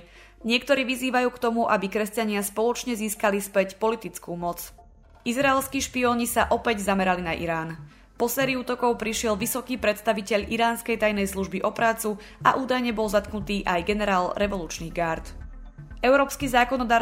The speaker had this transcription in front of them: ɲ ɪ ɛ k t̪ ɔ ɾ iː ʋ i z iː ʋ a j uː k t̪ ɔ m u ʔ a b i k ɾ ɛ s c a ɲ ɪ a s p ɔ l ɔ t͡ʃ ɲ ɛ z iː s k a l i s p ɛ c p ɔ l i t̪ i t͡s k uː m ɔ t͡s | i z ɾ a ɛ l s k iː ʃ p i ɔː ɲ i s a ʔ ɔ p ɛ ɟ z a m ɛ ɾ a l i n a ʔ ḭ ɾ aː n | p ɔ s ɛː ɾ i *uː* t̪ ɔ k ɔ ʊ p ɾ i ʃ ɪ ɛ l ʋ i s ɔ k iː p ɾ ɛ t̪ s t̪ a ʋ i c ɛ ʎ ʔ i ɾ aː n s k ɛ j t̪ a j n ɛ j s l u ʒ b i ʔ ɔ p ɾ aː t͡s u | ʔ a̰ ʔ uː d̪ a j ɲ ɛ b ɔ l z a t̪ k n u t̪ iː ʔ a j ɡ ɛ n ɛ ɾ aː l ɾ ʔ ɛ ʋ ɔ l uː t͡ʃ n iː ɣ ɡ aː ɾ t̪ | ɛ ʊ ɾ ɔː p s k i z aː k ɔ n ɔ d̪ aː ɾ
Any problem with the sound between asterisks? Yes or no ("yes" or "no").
no